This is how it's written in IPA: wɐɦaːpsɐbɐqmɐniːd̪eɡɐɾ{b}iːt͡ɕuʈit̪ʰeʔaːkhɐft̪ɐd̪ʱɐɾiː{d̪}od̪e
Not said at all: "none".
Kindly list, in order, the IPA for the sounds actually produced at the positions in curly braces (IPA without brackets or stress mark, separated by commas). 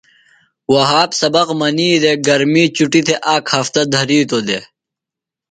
m, t̪